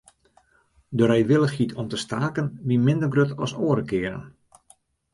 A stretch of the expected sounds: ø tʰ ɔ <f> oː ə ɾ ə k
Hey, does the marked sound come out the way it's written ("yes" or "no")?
no